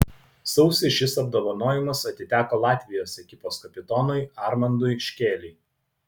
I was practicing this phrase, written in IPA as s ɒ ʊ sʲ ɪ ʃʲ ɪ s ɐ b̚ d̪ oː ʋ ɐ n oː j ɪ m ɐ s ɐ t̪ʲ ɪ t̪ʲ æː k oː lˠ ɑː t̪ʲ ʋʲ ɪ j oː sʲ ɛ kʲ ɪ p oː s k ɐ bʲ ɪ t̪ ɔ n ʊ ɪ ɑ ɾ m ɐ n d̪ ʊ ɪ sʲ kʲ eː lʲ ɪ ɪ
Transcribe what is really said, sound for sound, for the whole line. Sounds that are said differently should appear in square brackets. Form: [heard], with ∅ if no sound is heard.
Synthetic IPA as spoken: s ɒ ʊ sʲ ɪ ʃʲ ɪ s ɐ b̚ d̪ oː ʋ ɐ n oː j ɪ m ɐ s ɐ t̪ʲ ɪ t̪ʲ æː k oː lˠ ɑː t̪ʲ ʋʲ ɪ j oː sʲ ɛ kʲ ɪ p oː s k ɐ [pʲ] ɪ t̪ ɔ n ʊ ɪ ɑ ɾ m ɐ n d̪ ʊ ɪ [ʃʲ] kʲ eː lʲ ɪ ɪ

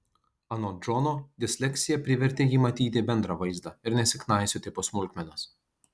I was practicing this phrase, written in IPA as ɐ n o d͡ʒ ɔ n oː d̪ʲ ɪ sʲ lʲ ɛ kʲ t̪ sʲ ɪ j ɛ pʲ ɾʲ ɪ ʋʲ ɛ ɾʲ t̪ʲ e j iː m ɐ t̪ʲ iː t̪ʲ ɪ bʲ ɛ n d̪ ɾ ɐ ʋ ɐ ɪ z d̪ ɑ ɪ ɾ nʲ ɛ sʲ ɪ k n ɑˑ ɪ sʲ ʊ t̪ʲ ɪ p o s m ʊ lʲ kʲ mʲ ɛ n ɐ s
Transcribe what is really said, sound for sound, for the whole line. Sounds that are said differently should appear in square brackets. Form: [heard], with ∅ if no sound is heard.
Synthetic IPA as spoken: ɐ n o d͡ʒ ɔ n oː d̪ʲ ɪ sʲ lʲ ɛ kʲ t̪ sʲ ɪ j ɛ pʲ ɾʲ ɪ ʋʲ ɛ ɾʲ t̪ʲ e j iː m ɐ t̪ʲ iː t̪ʲ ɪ bʲ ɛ n d̪ ɾ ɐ ʋ ɐ ɪ z d̪ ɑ ɪ ɾ nʲ ɛ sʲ ɪ k n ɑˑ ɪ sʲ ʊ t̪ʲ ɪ p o s m ʊ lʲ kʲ mʲ ɛ n ɐ s

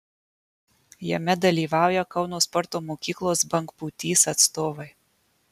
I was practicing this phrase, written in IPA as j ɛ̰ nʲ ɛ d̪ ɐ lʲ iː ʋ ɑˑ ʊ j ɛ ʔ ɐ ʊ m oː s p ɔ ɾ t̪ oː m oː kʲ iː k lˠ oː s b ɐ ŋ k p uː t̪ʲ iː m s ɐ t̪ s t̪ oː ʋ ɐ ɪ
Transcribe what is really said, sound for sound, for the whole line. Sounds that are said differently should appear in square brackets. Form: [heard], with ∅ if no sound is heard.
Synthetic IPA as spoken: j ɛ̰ [mʲ] ɛ d̪ ɐ lʲ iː ʋ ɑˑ ʊ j ɛ [k] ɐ ʊ [n] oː s p ɔ ɾ t̪ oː m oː kʲ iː k lˠ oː s b ɐ ŋ k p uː t̪ʲ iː [∅] s ɐ t̪ s t̪ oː ʋ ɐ ɪ

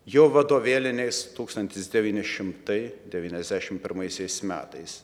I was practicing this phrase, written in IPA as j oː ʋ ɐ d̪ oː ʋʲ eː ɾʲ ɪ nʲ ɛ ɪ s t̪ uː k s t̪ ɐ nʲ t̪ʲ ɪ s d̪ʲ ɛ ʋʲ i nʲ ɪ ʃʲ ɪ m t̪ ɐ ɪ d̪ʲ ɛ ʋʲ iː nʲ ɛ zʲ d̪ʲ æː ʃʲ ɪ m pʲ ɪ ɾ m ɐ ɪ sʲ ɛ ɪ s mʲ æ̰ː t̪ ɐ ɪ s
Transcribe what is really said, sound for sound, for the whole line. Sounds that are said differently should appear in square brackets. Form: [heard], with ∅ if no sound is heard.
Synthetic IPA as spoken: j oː ʋ ɐ d̪ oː ʋʲ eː [lʲ] ɪ nʲ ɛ ɪ s t̪ uː k s t̪ ɐ nʲ t̪ʲ ɪ s d̪ʲ ɛ ʋʲ [iː] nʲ ɪ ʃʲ ɪ m t̪ ɐ ɪ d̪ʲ ɛ ʋʲ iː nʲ ɛ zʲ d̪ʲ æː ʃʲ ɪ m pʲ ɪ ɾ m ɐ ɪ sʲ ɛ ɪ s mʲ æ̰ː t̪ ɐ ɪ s

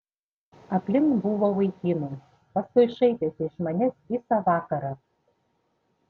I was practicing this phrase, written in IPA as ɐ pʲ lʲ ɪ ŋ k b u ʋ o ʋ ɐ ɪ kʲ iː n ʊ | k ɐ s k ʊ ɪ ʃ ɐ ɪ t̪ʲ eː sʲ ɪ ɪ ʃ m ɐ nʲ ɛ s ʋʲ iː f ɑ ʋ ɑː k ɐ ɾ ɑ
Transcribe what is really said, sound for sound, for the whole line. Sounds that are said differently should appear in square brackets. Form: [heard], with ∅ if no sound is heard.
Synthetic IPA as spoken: ɐ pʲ lʲ ɪ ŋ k b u ʋ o ʋ ɐ ɪ kʲ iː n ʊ | [p] ɐ s k ʊ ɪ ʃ ɐ ɪ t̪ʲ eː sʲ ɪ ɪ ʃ m ɐ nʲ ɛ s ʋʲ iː [s] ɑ ʋ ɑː k ɐ ɾ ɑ

